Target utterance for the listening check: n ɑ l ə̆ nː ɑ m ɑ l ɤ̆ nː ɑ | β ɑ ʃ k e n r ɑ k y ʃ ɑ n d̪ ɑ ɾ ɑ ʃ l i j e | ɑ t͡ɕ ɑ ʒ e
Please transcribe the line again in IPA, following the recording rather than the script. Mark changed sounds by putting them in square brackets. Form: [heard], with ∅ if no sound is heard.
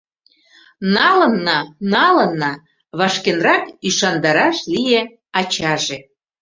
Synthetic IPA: n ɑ l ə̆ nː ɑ [n] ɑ l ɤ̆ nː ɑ | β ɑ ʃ k e n r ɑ k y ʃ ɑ n d̪ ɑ ɾ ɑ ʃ l i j e | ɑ t͡ɕ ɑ ʒ e